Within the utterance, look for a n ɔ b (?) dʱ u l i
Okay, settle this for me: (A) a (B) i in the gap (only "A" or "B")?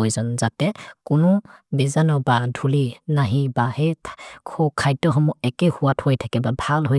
A